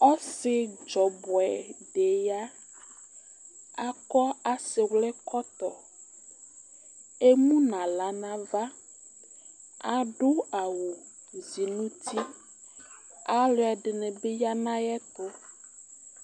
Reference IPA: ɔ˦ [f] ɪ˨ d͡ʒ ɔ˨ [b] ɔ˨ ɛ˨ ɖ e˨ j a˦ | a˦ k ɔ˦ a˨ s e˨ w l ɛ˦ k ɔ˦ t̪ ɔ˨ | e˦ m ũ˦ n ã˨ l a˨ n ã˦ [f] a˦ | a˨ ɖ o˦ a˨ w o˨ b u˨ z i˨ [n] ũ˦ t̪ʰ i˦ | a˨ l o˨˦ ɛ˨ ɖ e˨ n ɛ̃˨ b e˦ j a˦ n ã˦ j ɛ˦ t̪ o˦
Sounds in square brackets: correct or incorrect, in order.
incorrect: s, correct, incorrect: v, correct

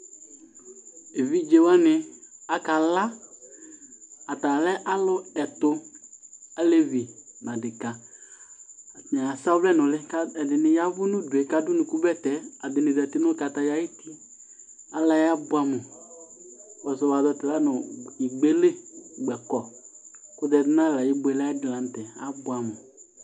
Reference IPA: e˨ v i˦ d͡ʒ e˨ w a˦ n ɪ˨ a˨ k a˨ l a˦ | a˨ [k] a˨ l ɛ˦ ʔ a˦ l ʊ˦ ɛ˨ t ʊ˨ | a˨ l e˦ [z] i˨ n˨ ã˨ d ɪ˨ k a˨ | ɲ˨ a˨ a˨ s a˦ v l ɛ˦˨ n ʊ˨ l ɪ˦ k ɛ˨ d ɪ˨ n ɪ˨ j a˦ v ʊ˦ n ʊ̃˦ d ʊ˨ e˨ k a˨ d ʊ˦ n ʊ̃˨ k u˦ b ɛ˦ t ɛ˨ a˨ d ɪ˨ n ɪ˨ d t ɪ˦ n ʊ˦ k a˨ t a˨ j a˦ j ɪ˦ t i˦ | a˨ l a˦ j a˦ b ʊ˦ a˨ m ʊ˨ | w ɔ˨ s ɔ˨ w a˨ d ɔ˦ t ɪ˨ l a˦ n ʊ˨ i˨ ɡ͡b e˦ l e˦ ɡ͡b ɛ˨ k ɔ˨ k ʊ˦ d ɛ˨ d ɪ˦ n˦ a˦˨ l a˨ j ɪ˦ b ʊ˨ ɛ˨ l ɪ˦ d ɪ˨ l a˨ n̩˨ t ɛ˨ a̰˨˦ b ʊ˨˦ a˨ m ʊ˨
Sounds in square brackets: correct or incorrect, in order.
incorrect: t, incorrect: v

